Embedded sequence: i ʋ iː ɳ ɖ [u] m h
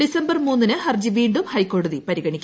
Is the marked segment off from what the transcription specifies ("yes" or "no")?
no